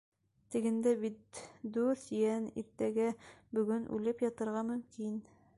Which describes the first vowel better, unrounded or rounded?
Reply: unrounded